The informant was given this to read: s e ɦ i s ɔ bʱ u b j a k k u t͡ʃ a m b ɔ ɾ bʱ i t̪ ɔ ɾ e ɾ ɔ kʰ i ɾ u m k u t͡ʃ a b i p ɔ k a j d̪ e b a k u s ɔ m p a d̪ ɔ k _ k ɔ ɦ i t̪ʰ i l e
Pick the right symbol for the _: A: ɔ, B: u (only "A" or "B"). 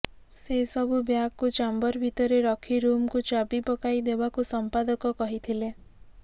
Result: A